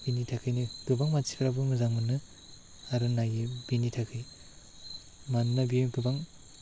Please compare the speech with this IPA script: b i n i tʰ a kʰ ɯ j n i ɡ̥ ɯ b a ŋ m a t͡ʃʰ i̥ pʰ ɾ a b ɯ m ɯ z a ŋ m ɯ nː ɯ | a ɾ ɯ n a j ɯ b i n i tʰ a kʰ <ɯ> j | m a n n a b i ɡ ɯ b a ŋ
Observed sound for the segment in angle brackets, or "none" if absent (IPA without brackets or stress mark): ɯ